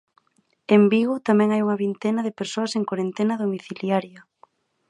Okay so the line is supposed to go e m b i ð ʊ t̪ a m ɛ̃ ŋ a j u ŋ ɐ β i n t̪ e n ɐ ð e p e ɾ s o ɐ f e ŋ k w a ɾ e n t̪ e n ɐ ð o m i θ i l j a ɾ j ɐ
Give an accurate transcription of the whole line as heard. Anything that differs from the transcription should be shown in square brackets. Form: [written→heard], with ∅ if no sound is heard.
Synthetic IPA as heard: e m b i [ð→ɣ] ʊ t̪ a m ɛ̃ ŋ a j u ŋ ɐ β i n t̪ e n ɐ ð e p e ɾ s o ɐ [f→s] e ŋ k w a ɾ e n t̪ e n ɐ ð o m i θ i l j a ɾ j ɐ